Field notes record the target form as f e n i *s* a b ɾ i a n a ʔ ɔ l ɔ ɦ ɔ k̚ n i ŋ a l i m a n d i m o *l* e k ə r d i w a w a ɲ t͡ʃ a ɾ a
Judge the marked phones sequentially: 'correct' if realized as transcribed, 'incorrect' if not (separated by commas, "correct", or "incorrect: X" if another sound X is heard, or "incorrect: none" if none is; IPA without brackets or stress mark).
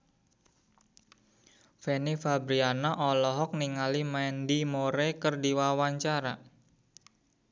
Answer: incorrect: f, incorrect: ɾ